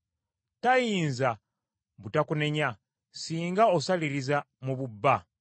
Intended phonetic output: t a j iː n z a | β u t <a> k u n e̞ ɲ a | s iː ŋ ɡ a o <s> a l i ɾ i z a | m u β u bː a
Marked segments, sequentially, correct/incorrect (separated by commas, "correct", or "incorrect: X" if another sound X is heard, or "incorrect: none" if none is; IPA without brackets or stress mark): correct, correct